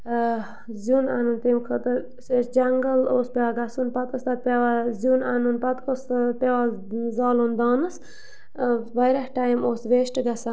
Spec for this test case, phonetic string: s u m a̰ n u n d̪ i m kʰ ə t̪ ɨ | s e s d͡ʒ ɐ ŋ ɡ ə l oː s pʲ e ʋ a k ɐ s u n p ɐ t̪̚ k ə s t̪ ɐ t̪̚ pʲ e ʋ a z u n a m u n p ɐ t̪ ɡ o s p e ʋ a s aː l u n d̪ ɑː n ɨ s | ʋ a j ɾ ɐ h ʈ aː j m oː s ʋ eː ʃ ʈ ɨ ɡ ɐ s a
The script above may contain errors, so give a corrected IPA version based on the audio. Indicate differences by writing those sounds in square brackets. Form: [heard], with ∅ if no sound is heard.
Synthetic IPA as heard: [z] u [n] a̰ n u n [t̪] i m kʰ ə t̪ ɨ | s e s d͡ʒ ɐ ŋ ɡ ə l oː s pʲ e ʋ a [ɡ] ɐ s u n p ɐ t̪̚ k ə s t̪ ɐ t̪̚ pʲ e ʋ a z u n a [n] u n p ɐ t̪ [k] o s p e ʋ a [z] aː l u n d̪ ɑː n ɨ s | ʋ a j ɾ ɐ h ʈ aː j m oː s ʋ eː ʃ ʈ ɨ ɡ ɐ s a

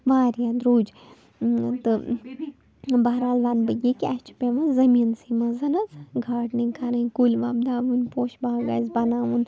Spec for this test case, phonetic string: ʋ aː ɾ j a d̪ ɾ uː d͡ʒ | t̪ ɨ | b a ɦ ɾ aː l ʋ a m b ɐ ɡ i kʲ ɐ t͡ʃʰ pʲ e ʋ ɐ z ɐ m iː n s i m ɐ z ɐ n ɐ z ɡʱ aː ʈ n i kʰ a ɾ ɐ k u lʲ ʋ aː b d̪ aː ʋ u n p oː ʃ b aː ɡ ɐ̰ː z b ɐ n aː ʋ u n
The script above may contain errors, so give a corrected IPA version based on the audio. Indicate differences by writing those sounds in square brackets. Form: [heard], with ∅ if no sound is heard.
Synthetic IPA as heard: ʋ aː ɾ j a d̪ ɾ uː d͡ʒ | t̪ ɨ | b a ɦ ɾ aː l ʋ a [n] b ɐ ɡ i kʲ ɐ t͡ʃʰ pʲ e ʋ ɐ z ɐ m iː n s i m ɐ z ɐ n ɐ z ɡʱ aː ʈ n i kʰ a ɾ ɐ k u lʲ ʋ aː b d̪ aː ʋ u n p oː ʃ b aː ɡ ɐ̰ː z b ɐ n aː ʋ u n

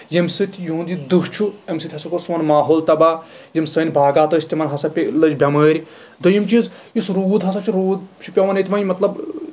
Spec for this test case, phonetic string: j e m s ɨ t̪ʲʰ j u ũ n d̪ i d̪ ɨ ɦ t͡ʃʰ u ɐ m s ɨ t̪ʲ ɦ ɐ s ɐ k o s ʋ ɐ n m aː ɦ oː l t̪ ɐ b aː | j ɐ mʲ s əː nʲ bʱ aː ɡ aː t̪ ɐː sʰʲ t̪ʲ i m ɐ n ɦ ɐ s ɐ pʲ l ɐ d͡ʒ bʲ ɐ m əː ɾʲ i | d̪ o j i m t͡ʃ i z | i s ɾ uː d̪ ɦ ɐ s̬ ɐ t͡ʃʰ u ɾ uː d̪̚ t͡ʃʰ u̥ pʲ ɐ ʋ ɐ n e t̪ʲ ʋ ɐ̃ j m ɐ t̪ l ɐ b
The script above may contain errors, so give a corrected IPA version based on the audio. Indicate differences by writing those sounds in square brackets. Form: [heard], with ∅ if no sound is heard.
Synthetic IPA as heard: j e m s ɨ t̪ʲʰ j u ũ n d̪ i d̪ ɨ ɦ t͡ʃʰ u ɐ m s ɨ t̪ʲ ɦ ɐ s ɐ k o s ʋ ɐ n m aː ɦ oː l t̪ ɐ b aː | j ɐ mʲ s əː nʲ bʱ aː ɡ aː t̪ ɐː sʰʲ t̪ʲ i m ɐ n ɦ ɐ s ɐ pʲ l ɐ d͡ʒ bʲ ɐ m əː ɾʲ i | d̪ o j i m t͡ʃ i z | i s ɾ uː d̪ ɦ ɐ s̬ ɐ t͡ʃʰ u ɾ uː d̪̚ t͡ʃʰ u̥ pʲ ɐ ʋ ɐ n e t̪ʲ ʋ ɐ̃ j m ɐ t̪ l ɐ b

